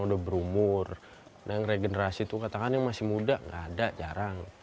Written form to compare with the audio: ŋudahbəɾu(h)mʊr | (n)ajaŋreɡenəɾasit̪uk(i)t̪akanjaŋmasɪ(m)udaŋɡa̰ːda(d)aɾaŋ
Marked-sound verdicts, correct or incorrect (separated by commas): incorrect, correct, incorrect, correct, incorrect